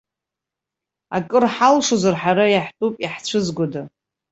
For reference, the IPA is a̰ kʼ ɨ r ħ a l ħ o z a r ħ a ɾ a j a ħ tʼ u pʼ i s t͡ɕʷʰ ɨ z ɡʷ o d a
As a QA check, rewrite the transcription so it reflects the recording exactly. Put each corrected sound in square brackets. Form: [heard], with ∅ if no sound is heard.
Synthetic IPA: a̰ kʼ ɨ r ħ a l [ʂ] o z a r ħ a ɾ a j a ħ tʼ u pʼ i [ħ] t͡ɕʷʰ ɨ z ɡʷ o d a